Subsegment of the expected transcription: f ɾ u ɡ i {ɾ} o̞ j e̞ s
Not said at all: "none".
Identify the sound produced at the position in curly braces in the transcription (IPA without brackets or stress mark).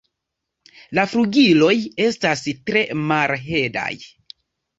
l